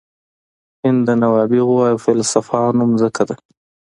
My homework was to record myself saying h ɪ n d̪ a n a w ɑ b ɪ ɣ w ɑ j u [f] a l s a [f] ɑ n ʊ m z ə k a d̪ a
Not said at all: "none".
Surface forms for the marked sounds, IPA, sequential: f, f

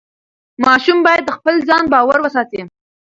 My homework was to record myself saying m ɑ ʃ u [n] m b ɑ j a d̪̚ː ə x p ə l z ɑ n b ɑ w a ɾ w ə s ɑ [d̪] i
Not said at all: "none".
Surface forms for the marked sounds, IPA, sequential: none, t̪

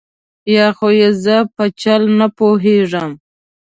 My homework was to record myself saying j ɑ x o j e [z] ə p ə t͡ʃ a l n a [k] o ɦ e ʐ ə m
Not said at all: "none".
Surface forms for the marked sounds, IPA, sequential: z, p

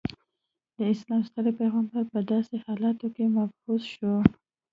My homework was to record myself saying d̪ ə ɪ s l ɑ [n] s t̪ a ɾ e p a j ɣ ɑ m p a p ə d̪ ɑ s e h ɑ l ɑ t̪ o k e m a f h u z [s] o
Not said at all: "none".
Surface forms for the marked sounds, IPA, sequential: m, ʃ

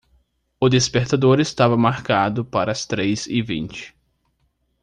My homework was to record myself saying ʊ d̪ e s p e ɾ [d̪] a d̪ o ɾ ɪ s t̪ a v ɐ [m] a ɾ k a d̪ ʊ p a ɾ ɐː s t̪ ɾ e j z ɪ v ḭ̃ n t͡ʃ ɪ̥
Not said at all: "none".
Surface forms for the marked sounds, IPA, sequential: t̪, m

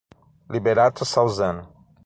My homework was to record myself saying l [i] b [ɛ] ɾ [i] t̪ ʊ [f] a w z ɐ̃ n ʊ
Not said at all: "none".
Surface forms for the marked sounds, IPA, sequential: i, e, a, s

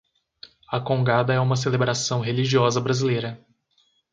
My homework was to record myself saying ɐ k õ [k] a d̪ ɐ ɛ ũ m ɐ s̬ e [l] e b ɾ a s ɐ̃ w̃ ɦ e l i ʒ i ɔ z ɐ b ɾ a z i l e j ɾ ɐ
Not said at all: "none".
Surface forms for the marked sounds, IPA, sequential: ɡ, l

